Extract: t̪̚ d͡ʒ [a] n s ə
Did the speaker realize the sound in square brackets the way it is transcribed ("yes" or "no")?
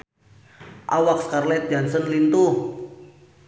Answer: yes